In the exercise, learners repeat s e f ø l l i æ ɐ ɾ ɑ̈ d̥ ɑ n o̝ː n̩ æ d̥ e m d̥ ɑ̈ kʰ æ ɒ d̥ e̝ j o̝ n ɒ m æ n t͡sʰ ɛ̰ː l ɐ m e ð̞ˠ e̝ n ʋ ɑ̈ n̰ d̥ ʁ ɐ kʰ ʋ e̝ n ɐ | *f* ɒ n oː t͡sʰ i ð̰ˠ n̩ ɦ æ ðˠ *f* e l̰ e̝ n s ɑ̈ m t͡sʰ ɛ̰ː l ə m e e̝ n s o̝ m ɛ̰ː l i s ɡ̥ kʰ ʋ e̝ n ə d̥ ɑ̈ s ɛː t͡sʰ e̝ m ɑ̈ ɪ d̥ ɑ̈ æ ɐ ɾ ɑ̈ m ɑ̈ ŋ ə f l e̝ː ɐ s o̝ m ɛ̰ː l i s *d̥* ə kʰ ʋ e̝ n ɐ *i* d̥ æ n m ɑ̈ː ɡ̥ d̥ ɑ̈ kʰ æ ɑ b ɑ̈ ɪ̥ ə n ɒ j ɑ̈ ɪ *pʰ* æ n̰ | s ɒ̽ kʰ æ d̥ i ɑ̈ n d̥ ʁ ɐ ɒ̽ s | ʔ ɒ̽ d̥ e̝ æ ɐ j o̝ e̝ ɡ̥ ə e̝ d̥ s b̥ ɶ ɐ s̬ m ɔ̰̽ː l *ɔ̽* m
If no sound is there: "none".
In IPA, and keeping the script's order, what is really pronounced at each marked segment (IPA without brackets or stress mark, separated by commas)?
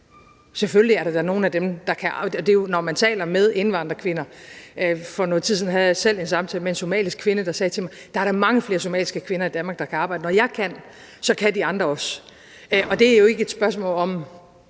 f, s, ɡ̥, i, kʰ, ɒ̽